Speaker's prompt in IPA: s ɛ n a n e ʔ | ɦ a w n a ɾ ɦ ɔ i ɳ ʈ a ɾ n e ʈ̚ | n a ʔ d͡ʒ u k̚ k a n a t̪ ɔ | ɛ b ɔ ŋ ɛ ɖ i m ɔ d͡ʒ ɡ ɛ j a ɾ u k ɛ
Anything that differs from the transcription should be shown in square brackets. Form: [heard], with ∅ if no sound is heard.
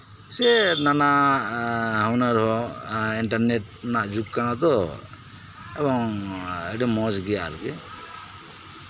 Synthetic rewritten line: s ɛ n a n [a] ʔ | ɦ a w n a ɾ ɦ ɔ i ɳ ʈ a ɾ n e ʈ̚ | n a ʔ d͡ʒ u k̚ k a n a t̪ ɔ | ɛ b ɔ ŋ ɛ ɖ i m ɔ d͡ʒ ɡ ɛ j a ɾ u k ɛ